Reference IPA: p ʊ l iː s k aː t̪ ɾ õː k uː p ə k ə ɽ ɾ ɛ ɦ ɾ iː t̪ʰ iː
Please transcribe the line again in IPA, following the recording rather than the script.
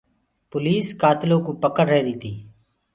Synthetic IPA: p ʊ l iː s k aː t̪ l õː k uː p ə k ə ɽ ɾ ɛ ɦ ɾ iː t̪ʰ iː